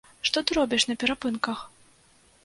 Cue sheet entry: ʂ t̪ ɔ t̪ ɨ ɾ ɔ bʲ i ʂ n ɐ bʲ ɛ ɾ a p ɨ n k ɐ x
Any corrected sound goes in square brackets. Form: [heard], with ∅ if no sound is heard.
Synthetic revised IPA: ʂ t̪ ɔ t̪ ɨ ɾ ɔ bʲ i ʂ n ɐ [pʲ] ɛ ɾ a p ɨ n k ɐ x